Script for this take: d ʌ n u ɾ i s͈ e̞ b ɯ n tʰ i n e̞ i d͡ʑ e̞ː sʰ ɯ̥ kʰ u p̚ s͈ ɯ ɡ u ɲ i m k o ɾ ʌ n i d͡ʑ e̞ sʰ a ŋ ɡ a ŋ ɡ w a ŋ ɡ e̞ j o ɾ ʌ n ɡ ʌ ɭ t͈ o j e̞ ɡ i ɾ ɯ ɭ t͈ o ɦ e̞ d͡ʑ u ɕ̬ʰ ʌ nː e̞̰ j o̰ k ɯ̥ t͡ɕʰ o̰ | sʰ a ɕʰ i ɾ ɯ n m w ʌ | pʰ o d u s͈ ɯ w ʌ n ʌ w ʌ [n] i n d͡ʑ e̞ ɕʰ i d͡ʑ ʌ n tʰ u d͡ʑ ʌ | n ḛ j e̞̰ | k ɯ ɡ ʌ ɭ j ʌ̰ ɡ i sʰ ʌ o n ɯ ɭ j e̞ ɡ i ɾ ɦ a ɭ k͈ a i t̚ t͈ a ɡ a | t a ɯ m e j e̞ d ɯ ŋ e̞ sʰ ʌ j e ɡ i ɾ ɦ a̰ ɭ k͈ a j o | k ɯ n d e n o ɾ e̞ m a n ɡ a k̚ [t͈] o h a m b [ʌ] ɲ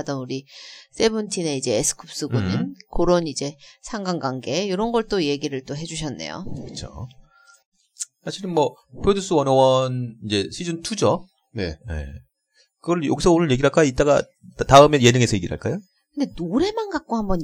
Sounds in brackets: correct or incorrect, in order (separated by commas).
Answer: correct, incorrect, correct